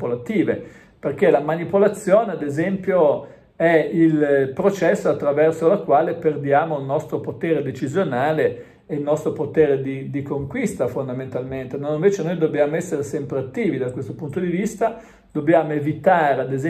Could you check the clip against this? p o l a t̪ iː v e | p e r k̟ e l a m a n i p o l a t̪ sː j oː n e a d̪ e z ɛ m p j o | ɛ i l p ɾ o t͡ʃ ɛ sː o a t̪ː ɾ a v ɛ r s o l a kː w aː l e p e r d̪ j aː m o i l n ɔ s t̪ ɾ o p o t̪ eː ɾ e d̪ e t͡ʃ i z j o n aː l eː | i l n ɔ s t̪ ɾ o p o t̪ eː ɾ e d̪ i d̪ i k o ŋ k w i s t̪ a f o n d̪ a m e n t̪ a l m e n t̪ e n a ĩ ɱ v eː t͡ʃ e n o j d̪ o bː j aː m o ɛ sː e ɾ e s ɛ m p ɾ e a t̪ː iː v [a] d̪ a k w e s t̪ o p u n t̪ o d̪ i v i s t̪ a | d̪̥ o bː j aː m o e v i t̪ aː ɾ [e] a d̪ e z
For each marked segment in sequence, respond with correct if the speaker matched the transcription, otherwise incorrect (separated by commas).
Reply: incorrect, correct